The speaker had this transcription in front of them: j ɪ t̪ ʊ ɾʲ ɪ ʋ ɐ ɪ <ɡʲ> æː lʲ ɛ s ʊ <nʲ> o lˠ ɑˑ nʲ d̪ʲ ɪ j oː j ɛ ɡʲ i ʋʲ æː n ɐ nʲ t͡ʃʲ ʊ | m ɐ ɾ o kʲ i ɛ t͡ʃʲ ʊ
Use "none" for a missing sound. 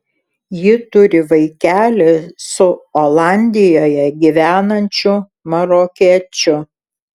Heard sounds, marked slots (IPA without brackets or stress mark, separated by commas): kʲ, none